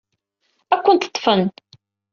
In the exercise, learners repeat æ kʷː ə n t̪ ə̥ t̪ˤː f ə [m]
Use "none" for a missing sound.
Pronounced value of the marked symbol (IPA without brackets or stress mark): n